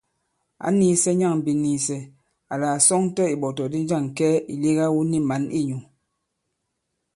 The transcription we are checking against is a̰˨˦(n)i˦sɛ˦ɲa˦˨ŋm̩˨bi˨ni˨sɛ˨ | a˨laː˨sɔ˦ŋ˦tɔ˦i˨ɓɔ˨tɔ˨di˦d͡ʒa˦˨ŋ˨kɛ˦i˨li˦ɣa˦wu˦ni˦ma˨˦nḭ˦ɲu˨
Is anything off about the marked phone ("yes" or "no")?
no